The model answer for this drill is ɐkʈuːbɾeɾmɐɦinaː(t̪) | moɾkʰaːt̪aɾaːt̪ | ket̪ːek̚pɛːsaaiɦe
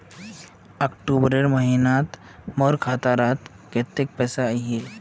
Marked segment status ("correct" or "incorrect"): correct